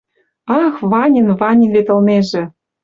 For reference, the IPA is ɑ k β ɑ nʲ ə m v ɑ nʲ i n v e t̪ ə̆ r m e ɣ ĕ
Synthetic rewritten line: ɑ x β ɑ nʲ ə n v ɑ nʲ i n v e t̪ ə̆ l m e ʒ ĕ